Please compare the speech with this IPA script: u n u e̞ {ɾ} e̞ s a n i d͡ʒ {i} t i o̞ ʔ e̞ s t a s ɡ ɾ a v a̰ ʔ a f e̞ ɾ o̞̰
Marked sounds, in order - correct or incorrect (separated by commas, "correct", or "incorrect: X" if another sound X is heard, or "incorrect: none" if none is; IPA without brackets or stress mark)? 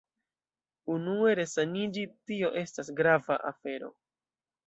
correct, correct